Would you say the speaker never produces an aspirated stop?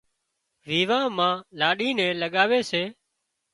yes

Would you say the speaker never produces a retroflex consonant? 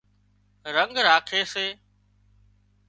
yes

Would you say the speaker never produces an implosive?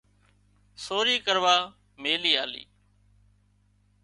yes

